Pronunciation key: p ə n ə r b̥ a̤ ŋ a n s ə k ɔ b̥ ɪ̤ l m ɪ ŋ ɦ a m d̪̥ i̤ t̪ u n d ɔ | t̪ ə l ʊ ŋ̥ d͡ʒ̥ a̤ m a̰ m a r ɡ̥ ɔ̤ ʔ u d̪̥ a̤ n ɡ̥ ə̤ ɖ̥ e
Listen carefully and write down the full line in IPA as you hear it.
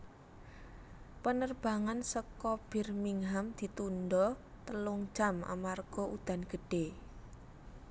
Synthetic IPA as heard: p ə n ə r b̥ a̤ ŋ a n s ə k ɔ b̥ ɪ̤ r m i ŋ ɦ a m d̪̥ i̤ t̪ u n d ɔ | t̪ ə l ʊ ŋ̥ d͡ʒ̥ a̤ m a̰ m a r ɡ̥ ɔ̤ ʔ u d̪̥ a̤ n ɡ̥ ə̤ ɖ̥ e